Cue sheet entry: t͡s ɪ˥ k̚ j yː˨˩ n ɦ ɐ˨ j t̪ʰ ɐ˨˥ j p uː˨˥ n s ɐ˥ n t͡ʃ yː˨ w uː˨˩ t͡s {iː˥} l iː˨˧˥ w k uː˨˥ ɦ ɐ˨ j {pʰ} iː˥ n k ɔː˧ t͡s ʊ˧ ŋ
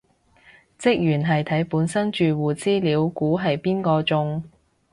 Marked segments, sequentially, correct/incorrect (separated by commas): correct, incorrect